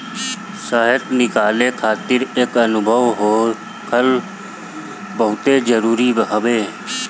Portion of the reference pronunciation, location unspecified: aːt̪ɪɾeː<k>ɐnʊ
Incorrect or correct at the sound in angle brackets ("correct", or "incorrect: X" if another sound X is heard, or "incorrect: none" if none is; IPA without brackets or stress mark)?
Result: correct